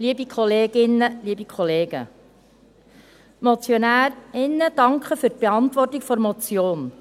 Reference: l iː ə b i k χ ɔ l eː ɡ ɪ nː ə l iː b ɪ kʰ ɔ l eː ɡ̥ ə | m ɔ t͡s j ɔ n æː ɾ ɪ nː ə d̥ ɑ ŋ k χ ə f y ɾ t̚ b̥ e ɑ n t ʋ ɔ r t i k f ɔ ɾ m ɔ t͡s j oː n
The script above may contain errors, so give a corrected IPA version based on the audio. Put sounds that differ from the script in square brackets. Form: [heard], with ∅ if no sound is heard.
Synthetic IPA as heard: l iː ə b i k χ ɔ l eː ɡ ɪ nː ə l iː b [i] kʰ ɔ l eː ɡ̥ ə | m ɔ t͡s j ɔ n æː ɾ ɪ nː ə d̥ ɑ ŋ k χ ə f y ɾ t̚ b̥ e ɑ n t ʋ ɔ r t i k f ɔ ɾ m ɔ t͡s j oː n